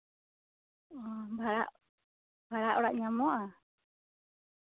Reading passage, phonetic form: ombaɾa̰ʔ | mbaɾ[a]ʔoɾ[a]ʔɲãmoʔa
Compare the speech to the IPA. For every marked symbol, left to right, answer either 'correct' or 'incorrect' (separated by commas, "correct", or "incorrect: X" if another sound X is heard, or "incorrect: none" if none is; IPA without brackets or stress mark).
correct, correct